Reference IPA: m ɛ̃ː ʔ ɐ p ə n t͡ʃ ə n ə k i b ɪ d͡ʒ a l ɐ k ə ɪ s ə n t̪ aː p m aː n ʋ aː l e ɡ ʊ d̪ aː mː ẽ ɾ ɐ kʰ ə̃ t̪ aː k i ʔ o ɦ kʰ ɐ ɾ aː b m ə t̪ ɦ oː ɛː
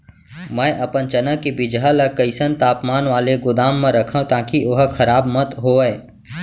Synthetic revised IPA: m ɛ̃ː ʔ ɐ p ə n t͡ʃ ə n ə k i b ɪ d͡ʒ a l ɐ k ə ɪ s ə n t̪ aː p m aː n ʋ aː l e ɡ ʊ d̪ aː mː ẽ ɾ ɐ kʰ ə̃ t̪ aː k i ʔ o ɦ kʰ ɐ ɾ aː b m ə t̪ ɦ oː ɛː